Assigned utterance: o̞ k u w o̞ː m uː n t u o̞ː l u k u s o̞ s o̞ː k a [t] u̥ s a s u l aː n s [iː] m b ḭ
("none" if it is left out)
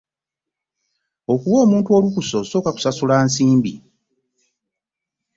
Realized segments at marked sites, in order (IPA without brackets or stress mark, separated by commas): k, iː